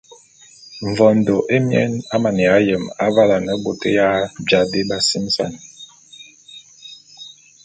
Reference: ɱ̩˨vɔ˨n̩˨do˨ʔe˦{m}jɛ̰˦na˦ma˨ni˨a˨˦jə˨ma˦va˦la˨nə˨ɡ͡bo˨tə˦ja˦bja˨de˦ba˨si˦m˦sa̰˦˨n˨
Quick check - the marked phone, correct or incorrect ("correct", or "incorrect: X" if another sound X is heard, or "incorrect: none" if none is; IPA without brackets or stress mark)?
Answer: correct